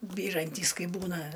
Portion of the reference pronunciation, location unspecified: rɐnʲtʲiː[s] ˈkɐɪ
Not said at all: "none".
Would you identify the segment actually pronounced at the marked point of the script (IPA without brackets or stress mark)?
s